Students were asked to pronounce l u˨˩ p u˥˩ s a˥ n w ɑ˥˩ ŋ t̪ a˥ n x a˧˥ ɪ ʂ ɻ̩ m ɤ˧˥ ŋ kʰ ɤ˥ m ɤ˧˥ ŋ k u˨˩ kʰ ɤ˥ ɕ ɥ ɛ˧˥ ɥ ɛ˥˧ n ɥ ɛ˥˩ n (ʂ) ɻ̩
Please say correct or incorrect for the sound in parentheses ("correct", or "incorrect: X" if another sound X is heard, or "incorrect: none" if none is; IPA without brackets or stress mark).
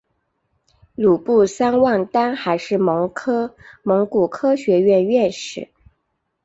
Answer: correct